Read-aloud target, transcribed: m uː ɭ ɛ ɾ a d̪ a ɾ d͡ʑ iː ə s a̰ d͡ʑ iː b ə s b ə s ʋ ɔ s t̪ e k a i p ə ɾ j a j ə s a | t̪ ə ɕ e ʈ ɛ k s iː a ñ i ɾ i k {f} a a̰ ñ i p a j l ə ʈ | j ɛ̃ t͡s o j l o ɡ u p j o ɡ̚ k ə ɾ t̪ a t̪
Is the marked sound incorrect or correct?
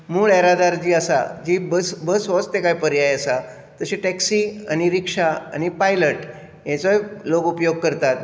incorrect